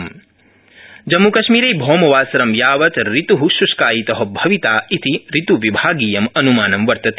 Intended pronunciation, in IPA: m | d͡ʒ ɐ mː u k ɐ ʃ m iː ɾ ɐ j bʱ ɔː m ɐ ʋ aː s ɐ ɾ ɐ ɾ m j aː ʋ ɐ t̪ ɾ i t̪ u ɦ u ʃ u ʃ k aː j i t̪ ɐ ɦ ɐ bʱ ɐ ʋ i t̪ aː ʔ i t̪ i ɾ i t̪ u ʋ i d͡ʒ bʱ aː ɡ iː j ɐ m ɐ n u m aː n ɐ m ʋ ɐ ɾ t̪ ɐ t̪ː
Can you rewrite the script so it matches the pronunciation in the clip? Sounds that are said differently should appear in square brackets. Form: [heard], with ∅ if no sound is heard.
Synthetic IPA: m | d͡ʒ ɐ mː u k ɐ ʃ m iː ɾ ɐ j bʱ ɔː m ɐ ʋ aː s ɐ ɾ ɐ [∅] m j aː ʋ ɐ t̪ ɾ i t̪ u ɦ u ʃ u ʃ k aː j i t̪ ɐ ɦ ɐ bʱ ɐ ʋ i t̪ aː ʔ i t̪ i ɾ i t̪ u ʋ i [∅] bʱ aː ɡ iː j ɐ m ɐ n u m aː n ɐ m ʋ ɐ ɾ t̪ ɐ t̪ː